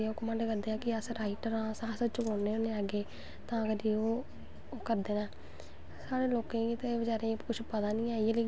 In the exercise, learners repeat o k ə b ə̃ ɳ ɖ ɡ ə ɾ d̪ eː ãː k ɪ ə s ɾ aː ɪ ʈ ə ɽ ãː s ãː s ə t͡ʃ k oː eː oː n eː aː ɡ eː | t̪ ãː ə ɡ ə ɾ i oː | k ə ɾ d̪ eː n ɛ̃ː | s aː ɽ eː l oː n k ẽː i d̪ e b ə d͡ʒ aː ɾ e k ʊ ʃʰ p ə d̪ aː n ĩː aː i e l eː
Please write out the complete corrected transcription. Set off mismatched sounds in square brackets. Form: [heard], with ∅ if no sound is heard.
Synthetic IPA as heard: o k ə [m] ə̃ ɳ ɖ [k] ə ɾ d̪ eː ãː k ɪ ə s ɾ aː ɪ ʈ ə [ɾ] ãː s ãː s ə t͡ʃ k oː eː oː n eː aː ɡ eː | t̪ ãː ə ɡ ə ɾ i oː | k ə ɾ d̪ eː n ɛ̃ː | s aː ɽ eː l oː [∅] k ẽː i [t̪] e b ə d͡ʒ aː ɾ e k ʊ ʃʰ p ə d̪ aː n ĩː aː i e l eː